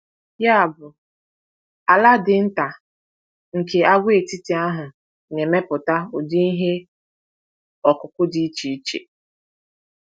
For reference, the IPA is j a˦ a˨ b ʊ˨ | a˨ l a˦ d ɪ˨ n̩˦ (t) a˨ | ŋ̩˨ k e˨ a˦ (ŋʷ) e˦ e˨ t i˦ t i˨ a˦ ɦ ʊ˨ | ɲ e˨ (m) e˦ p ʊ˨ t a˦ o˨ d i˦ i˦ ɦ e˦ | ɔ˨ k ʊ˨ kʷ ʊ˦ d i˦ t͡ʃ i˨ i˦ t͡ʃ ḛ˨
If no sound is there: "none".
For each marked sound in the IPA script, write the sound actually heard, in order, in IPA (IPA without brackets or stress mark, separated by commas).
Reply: t, ɡʷ, m